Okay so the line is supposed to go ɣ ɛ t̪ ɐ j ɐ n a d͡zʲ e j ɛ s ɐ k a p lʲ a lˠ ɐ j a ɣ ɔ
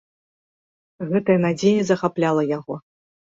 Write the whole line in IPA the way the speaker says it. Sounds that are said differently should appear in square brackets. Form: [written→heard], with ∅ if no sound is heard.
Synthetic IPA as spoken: ɣ ɛ t̪ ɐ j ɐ n a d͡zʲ e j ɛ [s→z] ɐ [k→x] a p lʲ a lˠ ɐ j a ɣ ɔ

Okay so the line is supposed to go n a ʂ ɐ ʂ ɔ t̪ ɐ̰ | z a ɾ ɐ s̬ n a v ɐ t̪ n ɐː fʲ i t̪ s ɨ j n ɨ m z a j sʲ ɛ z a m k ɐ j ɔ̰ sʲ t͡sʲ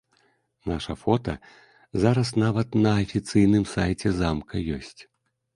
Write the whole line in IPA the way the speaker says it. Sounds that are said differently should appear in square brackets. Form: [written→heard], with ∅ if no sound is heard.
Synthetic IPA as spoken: n a ʂ ɐ [ʂ→f] ɔ t̪ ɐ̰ | z a ɾ ɐ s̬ n a v ɐ t̪ n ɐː fʲ i t̪ s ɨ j n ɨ m [z→s] a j [sʲ→t͡sʲ] ɛ z a m k ɐ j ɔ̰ sʲ t͡sʲ

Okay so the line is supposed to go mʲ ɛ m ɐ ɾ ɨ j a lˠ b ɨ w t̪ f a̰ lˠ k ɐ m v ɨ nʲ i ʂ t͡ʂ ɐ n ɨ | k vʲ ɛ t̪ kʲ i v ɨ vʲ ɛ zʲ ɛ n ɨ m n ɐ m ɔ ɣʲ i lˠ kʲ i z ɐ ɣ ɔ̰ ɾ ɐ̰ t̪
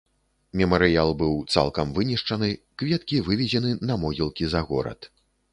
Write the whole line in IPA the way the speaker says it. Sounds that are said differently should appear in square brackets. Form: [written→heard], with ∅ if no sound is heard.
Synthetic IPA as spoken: mʲ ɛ m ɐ ɾ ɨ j a lˠ b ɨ w t̪ [f→s] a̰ lˠ k ɐ m v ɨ nʲ i ʂ t͡ʂ ɐ n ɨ | k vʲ ɛ t̪ kʲ i v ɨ vʲ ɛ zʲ ɛ n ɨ [m→∅] n ɐ m ɔ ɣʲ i lˠ kʲ i z ɐ ɣ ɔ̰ ɾ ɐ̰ t̪

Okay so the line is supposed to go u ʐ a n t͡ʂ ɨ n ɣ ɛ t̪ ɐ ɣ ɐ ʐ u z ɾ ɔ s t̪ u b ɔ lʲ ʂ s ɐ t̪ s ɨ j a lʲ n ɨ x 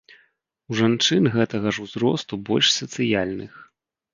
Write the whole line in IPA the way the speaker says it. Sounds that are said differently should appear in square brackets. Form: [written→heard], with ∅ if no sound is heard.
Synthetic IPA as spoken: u ʐ a n t͡ʂ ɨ n ɣ ɛ t̪ ɐ ɣ ɐ ʐ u z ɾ ɔ s t̪ u b ɔ lʲ ʂ s ɐ t̪ s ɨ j a lʲ n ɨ x

